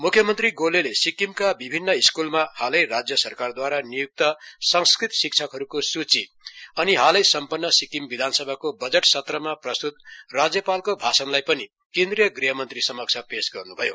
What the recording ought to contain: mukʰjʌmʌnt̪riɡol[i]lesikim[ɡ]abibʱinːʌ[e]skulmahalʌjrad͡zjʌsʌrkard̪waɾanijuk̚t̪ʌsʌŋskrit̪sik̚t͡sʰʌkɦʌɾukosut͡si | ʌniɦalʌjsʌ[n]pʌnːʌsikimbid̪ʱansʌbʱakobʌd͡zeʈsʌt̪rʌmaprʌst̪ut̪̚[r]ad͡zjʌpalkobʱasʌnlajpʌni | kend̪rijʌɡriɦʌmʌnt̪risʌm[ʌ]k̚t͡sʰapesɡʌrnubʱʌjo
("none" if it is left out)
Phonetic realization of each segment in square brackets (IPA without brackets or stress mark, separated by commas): e, k, i, m, r, ʌ